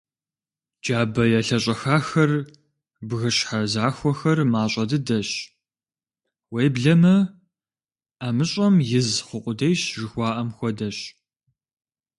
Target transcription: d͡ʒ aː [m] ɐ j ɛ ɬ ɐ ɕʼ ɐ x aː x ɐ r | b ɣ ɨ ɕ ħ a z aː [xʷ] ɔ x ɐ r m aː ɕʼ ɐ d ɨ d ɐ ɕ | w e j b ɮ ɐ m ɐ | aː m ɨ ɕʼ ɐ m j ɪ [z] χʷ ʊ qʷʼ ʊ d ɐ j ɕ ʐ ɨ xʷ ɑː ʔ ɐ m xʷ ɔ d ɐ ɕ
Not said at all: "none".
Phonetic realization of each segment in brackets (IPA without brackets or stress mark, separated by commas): b, xʷ, z